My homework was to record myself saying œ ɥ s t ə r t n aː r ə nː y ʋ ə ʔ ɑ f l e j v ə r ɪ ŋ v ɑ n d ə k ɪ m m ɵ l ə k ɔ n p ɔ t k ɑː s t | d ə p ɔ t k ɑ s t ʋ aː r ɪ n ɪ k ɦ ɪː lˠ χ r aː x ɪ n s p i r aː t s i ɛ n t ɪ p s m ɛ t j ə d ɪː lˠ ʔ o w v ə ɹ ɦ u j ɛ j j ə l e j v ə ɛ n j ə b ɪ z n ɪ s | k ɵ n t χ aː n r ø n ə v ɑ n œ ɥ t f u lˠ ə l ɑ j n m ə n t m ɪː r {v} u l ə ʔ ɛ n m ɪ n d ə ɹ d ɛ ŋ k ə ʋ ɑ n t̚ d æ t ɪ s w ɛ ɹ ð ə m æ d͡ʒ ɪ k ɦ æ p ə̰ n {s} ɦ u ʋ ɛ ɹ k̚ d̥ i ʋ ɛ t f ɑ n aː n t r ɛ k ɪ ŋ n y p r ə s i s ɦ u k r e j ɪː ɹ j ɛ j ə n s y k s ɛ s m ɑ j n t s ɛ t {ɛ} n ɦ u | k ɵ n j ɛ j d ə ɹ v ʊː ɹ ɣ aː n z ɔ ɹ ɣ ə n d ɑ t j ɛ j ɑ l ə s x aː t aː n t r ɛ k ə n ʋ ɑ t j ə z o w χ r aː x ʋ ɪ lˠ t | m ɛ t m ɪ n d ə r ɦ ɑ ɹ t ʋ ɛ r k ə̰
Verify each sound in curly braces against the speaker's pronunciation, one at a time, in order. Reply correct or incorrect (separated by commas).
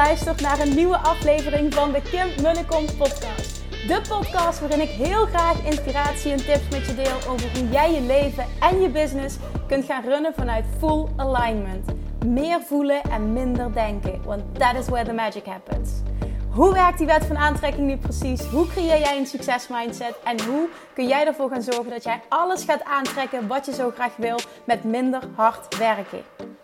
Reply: correct, correct, correct